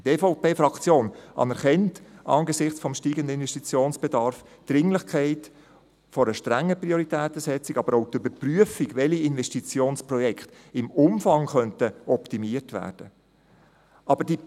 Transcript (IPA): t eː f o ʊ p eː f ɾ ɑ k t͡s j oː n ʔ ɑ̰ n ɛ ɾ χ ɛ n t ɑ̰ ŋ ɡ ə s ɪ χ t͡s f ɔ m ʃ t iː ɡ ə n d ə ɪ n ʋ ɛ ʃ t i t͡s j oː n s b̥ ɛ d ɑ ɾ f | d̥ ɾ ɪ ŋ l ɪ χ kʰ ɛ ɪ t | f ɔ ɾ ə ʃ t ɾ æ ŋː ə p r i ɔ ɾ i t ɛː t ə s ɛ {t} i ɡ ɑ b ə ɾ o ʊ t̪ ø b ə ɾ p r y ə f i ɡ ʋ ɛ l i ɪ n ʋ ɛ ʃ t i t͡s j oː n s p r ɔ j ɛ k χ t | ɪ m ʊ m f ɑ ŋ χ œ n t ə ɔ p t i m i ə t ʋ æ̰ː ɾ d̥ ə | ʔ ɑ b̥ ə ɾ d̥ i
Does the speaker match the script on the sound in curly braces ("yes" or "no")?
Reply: no